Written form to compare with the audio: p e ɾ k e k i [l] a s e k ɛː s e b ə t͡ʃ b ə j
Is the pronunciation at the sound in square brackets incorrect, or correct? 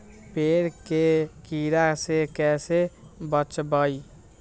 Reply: incorrect